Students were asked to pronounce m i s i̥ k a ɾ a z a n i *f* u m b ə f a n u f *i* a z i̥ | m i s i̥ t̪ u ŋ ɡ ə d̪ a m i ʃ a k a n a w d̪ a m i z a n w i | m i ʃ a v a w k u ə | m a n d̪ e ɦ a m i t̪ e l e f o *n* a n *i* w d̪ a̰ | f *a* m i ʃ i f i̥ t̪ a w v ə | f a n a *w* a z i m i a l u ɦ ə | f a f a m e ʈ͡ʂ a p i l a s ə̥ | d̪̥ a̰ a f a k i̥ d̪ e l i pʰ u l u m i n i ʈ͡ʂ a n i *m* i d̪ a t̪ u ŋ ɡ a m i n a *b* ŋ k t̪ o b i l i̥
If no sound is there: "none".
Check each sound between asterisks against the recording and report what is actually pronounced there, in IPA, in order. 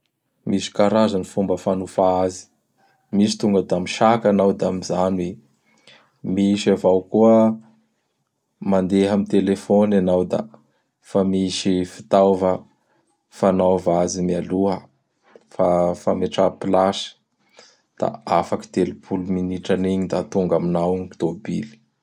f, a, n, a, a, v, ɲ, w

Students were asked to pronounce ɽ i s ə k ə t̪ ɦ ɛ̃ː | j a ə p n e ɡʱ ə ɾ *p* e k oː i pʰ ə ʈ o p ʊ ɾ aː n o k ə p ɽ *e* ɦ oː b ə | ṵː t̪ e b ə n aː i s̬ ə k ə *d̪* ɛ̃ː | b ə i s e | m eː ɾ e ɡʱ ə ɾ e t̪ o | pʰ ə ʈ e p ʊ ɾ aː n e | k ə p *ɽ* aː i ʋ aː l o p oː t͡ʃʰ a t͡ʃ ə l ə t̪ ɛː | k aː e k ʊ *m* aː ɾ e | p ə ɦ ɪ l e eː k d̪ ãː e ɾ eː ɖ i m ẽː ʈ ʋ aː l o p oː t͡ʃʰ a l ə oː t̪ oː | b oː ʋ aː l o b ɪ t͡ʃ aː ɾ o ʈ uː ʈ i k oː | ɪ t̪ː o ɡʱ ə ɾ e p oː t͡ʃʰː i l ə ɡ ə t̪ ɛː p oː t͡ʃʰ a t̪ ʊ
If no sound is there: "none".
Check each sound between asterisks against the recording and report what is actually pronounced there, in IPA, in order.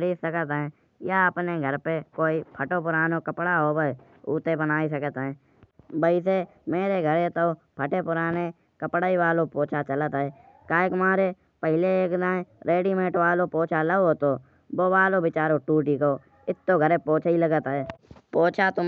p, a, t̪, ɽ, m

